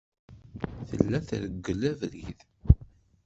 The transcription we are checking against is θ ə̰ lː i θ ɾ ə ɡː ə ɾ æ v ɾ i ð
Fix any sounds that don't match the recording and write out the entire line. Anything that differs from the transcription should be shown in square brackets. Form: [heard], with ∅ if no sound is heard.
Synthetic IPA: θ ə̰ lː [æ] θ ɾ ə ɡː ə [l] æ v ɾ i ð